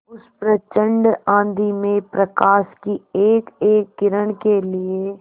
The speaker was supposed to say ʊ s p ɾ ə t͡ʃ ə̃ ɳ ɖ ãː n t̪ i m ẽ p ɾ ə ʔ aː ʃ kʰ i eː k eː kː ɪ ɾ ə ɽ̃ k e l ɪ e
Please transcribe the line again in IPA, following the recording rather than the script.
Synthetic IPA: ʊ s p ɾ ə t͡ʃ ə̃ ɳ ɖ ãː n d̪ i m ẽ p ɾ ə k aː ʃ k i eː k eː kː ɪ ɾ ə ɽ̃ k e l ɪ e